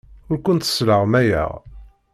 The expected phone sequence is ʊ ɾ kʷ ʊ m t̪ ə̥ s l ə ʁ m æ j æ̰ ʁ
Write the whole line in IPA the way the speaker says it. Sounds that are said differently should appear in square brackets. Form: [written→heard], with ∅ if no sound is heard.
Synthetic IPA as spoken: ʊ ɾ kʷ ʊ [m→n] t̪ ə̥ s l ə ʁ m æ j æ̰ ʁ